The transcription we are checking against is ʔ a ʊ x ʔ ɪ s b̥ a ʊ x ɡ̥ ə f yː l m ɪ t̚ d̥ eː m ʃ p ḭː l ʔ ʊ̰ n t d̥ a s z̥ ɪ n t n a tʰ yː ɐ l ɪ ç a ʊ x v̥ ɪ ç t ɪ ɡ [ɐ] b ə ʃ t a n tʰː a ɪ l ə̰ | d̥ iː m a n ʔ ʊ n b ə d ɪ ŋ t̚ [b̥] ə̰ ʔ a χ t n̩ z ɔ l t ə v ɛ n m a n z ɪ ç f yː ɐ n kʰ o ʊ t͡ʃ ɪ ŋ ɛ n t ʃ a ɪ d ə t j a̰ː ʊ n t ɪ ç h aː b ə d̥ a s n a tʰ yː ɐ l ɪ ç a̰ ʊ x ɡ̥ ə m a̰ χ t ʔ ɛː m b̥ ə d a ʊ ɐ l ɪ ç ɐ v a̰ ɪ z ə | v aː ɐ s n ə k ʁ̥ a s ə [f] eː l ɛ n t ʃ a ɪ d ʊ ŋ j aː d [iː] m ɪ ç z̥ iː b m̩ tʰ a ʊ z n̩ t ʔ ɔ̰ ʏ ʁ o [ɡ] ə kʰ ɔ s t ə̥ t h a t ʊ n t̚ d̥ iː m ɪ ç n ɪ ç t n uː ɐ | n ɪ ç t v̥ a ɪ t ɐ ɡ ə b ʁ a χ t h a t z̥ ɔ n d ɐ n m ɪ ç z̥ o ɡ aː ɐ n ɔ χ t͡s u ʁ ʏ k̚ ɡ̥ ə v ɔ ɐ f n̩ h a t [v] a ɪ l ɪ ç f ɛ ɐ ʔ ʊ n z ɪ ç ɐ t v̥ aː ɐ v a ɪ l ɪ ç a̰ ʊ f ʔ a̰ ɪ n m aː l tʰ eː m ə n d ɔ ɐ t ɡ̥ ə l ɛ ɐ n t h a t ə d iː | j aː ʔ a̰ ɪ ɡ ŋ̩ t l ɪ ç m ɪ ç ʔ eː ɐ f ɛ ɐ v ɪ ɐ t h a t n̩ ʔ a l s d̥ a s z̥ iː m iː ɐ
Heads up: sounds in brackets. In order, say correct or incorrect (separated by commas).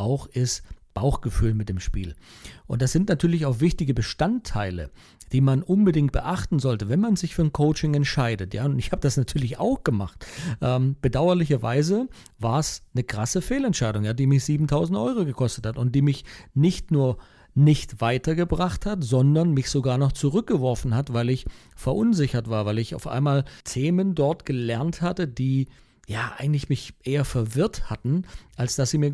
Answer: incorrect, correct, correct, correct, correct, correct